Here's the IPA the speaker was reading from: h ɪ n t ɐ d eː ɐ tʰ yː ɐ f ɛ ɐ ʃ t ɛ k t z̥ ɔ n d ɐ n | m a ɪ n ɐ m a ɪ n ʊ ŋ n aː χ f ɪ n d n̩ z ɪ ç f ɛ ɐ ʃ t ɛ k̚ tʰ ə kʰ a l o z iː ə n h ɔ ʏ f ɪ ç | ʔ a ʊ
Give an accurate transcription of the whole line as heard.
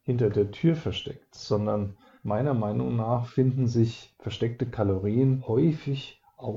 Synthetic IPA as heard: h ɪ n t ɐ d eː ɐ tʰ yː ɐ f ɛ ɐ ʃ t ɛ k t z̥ ɔ n d ɐ n | m a ɪ n ɐ m a ɪ n ʊ ŋ n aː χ f ɪ n d n̩ z ɪ ç f ɛ ɐ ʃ t ɛ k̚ t ə kʰ a l o ʁ iː ə n h ɔ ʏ f ɪ ç | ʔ a ʊ